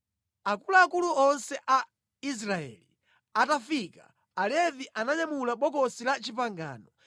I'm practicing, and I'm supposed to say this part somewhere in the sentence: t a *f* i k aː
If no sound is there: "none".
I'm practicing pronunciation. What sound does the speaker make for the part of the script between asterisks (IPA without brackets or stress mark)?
f